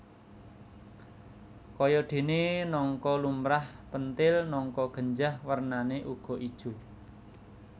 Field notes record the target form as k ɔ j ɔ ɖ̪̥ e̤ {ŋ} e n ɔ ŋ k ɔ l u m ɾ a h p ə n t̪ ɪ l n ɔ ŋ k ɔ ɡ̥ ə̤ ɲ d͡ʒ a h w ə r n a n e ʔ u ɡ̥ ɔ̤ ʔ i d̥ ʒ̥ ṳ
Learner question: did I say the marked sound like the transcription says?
no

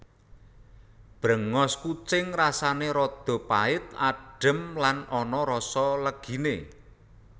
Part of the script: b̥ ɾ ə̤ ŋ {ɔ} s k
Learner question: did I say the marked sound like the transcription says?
yes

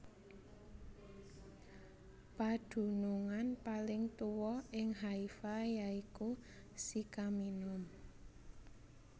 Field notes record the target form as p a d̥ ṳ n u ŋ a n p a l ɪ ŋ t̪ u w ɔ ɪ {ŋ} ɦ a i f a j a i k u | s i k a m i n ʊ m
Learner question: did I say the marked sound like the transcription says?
yes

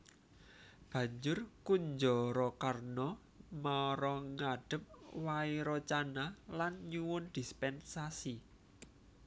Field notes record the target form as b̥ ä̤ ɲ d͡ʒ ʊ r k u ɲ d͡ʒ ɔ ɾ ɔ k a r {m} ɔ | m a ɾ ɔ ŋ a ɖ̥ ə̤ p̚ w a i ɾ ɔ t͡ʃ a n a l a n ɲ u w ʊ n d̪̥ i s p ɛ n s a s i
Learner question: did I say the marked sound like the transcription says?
no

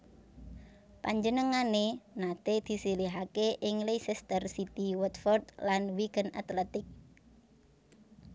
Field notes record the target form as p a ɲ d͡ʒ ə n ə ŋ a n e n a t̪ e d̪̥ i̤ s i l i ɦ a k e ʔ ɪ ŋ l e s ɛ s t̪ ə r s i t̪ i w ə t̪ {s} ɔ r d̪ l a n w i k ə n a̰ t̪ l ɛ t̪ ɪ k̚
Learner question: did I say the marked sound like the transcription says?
no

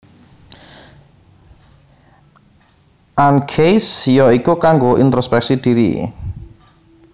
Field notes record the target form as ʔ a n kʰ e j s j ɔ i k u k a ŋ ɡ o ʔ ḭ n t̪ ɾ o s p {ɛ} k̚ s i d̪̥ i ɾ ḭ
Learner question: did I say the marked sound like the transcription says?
yes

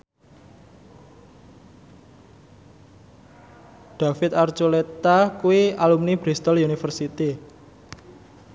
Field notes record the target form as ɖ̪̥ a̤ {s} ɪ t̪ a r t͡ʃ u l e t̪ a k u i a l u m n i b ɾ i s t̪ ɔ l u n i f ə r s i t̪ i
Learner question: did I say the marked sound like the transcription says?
no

